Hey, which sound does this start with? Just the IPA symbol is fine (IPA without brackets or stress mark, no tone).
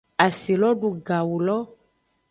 a